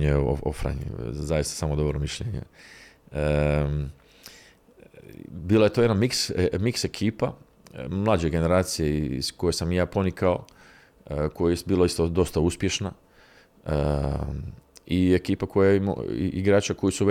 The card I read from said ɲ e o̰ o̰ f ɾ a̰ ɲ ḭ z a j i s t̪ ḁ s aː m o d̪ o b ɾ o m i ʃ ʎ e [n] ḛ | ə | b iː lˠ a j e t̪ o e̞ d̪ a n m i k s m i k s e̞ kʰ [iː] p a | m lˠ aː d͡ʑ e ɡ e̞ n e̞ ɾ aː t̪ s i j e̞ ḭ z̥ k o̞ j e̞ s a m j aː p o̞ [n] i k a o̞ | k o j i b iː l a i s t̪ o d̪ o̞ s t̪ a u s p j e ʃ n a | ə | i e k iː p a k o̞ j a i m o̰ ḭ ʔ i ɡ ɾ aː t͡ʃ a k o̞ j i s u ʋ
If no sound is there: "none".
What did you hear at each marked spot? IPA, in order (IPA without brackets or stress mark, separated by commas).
ɲ, iː, n